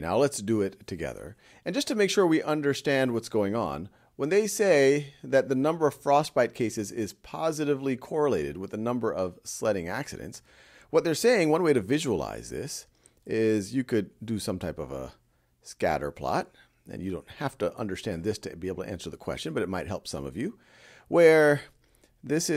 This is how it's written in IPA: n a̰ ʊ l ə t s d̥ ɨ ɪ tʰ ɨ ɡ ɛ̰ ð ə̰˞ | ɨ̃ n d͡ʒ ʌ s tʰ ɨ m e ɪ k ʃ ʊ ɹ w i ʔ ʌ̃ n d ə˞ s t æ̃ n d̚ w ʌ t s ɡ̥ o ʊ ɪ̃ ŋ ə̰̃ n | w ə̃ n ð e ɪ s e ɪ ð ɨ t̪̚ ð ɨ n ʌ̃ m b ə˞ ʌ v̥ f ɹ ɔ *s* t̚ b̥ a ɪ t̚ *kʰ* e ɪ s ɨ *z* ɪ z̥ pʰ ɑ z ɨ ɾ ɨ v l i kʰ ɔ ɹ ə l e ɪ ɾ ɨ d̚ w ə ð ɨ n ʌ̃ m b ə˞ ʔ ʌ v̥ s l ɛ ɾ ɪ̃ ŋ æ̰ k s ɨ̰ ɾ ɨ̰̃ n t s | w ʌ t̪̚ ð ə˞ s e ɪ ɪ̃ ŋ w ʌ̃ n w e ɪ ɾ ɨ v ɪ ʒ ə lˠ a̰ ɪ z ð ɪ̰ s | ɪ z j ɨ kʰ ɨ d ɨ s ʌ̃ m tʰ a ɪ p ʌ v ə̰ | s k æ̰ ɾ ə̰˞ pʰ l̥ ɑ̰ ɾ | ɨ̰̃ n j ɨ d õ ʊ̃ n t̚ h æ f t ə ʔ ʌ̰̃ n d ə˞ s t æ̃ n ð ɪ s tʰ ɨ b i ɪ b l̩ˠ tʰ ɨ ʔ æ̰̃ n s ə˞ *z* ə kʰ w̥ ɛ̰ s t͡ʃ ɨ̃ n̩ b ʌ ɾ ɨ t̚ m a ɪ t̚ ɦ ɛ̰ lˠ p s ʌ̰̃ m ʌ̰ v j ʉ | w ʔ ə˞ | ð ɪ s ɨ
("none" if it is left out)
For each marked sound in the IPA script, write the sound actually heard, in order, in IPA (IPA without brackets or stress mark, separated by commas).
s, kʰ, z, ð